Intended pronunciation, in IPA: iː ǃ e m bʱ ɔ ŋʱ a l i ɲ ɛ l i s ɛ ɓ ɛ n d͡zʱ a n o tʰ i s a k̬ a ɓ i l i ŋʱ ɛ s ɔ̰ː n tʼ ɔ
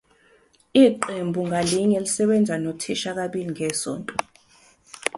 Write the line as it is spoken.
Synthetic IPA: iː ǃ e m bʱ u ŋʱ a l i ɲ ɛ l i s ɛ ɓ ɛ n d͡zʱ a n o tʰ i ʃ a k̬ a ɓ i l i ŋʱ ɛ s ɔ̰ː n tʼ ɔ